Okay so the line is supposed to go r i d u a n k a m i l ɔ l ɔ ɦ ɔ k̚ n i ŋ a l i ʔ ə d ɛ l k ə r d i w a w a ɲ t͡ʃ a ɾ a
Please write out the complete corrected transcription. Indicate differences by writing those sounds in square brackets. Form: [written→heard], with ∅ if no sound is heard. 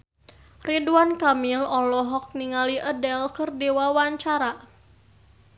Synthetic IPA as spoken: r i d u a n k a m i l ɔ l ɔ ɦ ɔ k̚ n i ŋ a l i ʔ ə d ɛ l k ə r d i w a w a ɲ t͡ʃ a ɾ a